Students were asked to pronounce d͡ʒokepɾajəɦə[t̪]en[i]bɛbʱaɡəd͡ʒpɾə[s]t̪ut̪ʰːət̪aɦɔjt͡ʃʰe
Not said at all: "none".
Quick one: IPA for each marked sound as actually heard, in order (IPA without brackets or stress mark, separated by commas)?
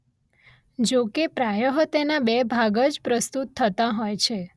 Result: t̪, a, s